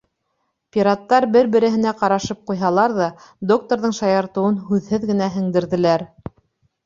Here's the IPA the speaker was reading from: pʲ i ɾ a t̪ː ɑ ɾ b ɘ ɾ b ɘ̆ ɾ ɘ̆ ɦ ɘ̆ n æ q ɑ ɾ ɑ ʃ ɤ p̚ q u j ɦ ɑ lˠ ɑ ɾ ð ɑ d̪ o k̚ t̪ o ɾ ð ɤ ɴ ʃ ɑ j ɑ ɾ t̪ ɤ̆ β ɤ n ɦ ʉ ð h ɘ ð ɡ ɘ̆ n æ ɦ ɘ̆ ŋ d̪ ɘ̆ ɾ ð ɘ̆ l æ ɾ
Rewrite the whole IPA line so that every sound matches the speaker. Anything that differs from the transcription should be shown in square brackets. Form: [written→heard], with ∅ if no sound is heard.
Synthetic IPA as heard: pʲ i ɾ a t̪ː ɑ ɾ b ɘ ɾ b ɘ̆ ɾ ɘ̆ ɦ ɘ̆ n æ q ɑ ɾ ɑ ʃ ɤ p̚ q u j ɦ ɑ lˠ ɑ ɾ ð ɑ d̪ o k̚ t̪ o ɾ ð ɤ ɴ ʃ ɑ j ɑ ɾ t̪ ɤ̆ [β→w] ɤ n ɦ ʉ ð h ɘ ð ɡ ɘ̆ n æ ɦ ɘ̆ ŋ d̪ ɘ̆ ɾ ð ɘ̆ l æ ɾ